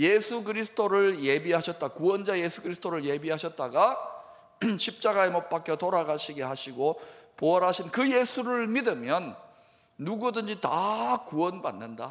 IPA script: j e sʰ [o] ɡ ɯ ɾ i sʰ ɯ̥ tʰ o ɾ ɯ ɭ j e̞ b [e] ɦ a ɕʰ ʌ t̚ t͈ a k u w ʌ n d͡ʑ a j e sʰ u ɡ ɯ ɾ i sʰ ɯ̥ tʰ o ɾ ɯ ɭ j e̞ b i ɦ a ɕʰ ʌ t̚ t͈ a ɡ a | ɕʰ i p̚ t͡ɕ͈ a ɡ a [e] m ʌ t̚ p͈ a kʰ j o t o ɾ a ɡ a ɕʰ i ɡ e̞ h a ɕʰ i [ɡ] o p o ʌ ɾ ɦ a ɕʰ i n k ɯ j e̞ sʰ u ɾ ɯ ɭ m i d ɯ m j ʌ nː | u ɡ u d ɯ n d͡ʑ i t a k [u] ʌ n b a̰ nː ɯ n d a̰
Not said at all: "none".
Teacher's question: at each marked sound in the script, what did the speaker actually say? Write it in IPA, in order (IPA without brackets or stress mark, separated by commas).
u, i, e, ɡ, u